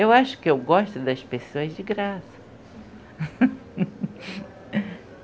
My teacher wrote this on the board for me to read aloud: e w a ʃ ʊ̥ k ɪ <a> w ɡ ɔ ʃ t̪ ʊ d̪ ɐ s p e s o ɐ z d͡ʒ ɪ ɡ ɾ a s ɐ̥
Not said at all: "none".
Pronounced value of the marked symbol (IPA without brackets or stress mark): e